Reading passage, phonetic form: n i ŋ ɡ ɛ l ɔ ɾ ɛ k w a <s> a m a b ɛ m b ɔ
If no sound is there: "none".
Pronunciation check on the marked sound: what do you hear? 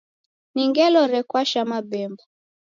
ʃ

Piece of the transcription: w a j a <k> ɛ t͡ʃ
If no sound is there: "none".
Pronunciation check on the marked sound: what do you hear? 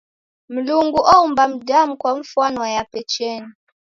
p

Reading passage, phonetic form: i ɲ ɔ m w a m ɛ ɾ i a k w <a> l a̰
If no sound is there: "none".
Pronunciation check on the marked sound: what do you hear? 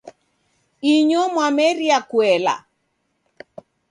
ɛ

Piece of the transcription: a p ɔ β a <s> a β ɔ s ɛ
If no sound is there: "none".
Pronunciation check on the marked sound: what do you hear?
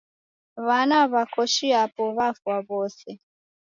f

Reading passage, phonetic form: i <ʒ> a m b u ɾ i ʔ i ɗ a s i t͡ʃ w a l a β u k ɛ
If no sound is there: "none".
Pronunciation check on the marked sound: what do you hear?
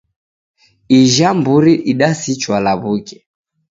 ʒ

